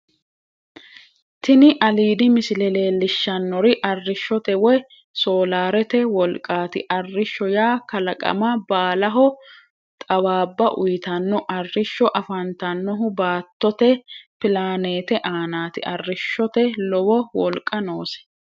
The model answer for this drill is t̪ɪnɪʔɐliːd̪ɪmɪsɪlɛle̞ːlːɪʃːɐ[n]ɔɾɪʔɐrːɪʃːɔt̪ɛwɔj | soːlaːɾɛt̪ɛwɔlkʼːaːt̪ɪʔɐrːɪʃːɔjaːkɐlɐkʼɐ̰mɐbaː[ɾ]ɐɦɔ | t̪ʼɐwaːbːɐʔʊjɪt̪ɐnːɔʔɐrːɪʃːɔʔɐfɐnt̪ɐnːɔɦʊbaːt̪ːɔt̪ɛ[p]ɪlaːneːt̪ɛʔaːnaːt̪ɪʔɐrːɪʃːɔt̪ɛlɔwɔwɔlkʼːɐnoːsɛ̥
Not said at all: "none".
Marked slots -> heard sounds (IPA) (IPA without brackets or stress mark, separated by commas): nː, l, p